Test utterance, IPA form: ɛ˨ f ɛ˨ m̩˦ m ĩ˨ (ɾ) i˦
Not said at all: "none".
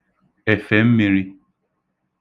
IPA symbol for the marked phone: ɾ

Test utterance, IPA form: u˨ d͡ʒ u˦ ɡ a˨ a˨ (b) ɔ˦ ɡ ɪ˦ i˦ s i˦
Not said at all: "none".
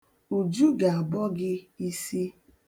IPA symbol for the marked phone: b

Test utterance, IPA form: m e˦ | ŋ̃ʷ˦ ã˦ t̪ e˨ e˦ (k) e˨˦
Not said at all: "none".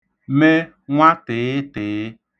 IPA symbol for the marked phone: t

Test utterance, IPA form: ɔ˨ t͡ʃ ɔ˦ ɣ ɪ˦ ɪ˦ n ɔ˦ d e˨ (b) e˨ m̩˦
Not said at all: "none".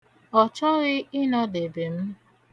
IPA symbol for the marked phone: b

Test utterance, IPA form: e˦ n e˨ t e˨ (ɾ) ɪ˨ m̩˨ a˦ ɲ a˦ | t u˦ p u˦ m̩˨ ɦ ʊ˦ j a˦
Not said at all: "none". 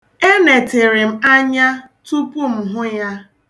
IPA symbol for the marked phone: ɾ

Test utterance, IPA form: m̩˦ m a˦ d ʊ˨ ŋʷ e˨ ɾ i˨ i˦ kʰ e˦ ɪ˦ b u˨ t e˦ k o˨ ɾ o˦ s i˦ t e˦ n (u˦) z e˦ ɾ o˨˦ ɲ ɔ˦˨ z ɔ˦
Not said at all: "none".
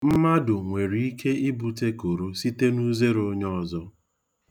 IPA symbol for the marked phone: u˦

